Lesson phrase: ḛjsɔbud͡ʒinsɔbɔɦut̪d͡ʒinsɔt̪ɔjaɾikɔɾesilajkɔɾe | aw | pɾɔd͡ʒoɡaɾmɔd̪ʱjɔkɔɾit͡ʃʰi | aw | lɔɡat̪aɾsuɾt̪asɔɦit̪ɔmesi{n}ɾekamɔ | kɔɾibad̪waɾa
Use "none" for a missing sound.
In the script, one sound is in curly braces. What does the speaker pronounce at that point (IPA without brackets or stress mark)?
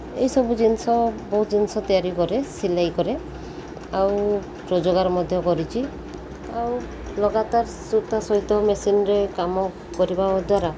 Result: n